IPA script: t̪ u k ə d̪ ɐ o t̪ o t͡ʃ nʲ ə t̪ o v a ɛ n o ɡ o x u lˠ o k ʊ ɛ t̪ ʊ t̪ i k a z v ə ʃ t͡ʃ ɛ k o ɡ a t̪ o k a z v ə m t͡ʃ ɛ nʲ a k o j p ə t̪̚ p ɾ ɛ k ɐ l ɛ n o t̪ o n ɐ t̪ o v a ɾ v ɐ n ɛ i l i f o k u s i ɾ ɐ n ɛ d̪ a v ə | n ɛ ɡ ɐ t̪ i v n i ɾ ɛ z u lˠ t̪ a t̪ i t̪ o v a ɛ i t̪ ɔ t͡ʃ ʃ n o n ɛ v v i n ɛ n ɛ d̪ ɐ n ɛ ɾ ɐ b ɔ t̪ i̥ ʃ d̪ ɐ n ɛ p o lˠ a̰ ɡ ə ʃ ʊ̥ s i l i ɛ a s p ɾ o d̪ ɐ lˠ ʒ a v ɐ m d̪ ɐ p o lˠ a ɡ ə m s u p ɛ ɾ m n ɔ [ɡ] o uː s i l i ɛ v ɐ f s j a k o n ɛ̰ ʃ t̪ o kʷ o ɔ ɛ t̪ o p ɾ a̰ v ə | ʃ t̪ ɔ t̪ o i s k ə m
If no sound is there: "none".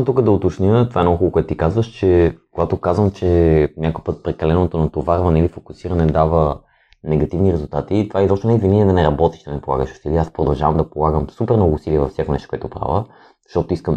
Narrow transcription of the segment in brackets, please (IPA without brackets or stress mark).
ɡ